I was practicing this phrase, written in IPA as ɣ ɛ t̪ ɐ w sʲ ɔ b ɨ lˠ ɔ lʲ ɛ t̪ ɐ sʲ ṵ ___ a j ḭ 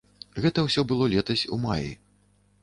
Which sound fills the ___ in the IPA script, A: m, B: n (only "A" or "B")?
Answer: A